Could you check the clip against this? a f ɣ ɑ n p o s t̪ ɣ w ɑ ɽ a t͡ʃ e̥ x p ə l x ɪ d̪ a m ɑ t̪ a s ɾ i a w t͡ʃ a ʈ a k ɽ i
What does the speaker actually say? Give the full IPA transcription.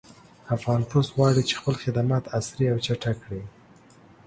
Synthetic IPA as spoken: a f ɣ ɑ n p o s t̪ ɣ w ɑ ɽ i t͡ʃ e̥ x p ə l x ɪ d̪ a m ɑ t̪ a s ɾ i a w t͡ʃ a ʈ a k ɽ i